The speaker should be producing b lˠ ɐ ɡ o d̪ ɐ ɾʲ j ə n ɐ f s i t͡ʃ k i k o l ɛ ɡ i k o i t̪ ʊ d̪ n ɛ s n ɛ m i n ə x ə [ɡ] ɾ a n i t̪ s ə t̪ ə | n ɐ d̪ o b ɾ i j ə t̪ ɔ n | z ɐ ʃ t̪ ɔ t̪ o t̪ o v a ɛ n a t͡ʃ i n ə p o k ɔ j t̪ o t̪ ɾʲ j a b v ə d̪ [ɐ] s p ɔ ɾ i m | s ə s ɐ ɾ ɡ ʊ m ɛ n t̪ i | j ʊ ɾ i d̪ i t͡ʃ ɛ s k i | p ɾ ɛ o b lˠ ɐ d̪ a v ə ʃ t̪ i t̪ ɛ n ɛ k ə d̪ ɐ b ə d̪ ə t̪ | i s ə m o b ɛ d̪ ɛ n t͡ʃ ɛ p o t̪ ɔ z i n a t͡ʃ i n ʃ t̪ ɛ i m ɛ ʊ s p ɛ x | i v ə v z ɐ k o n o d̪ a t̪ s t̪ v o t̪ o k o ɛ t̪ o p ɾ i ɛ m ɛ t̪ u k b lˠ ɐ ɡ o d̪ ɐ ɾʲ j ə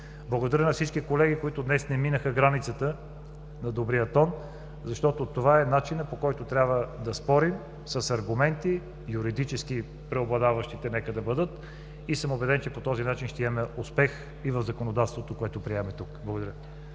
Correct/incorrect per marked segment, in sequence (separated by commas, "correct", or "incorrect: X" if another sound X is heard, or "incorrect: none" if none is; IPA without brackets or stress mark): correct, correct